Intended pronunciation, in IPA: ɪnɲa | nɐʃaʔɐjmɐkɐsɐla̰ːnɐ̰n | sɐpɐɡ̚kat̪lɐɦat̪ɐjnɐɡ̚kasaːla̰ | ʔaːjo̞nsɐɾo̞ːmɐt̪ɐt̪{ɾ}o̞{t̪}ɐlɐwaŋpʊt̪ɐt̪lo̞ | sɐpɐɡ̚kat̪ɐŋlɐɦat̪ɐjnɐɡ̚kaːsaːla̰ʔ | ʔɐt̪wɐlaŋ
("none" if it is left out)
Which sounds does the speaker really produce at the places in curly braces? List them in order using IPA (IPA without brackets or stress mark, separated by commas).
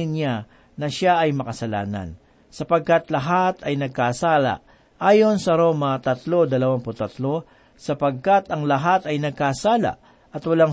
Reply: l, d̪